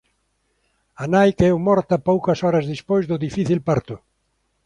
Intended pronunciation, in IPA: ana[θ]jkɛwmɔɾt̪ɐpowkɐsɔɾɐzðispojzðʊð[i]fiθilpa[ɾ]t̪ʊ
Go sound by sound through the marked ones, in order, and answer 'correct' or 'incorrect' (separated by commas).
incorrect, correct, correct